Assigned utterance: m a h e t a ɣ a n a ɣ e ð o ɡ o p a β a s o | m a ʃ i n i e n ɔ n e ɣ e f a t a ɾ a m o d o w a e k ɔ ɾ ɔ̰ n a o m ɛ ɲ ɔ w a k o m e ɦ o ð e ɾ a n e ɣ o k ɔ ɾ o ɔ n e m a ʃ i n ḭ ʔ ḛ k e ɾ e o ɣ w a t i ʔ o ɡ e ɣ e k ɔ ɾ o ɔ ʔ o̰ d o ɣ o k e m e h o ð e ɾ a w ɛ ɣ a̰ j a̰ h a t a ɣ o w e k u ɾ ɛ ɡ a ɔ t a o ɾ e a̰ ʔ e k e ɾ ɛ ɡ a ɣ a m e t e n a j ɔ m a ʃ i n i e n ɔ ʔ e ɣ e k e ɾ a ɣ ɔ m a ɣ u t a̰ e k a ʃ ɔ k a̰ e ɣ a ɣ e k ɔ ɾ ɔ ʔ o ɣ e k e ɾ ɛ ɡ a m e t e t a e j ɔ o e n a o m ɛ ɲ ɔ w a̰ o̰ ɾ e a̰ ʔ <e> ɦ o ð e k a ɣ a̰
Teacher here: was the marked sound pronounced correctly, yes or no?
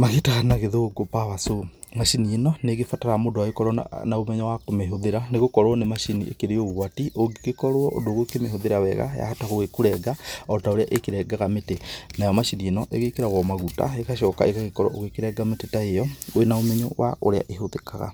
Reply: yes